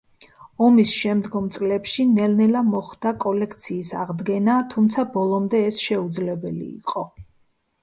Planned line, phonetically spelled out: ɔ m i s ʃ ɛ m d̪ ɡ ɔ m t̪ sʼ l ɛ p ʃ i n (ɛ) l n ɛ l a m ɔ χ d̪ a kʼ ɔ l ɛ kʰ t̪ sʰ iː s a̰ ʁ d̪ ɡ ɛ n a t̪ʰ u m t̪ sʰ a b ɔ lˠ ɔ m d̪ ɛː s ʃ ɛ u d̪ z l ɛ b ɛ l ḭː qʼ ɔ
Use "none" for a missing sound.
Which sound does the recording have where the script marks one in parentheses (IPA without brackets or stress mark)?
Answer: ɛ